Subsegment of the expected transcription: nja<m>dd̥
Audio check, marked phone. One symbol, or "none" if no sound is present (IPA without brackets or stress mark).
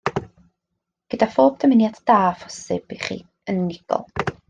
none